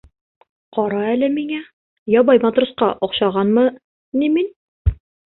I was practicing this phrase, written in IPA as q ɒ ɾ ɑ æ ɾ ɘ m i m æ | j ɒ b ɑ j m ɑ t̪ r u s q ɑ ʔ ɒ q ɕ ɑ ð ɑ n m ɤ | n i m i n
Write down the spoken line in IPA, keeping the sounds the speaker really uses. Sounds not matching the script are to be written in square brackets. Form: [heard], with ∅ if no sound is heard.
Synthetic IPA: q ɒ ɾ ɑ æ [l] ɘ m i [ŋ] æ | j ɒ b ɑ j m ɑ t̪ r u s q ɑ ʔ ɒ q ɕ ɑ [ʁ] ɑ n m ɤ | n i m i n